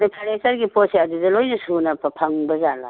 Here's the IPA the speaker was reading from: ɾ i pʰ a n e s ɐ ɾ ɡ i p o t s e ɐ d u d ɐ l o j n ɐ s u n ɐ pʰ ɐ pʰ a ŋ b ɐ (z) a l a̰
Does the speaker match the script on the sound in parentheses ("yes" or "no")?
yes